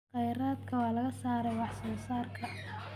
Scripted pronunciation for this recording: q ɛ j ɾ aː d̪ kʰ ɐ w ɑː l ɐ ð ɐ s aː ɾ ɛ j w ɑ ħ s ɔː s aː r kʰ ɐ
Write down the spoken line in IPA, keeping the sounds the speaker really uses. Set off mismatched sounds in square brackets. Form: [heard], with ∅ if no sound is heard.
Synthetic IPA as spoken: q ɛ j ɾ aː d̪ kʰ ɐ w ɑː l ɐ [ɣ] ɐ s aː ɾ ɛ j w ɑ ħ s ɔː s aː r kʰ ɐ